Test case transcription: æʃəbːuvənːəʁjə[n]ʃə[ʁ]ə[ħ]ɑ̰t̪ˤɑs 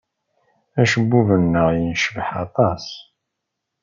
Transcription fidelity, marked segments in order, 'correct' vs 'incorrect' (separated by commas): correct, incorrect, correct